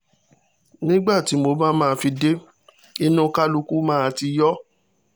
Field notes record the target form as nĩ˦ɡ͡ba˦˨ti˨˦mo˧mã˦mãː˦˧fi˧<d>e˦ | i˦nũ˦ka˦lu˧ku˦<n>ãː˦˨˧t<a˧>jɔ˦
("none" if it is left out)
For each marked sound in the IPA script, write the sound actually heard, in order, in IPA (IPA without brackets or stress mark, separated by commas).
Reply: d, m, i˧